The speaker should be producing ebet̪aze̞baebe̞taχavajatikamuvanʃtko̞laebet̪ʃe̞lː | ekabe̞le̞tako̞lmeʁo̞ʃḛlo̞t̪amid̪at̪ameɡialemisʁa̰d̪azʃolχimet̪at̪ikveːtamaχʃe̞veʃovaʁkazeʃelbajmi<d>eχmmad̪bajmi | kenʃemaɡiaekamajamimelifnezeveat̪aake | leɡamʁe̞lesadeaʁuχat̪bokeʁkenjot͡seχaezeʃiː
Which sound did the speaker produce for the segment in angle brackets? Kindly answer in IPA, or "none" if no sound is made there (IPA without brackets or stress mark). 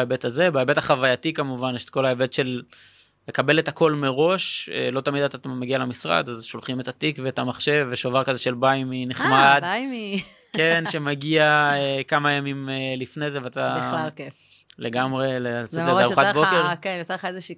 n